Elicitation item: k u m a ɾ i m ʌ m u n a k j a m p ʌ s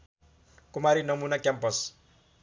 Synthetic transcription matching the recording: k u m a ɾ i n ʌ m u n a k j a m p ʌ s